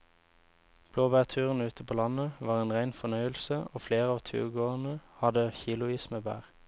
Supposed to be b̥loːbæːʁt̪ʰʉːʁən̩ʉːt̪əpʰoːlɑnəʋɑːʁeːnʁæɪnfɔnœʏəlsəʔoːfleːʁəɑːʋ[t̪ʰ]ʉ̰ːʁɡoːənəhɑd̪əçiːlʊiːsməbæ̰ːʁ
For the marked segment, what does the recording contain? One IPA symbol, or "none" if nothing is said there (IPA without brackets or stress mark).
t̪ʰ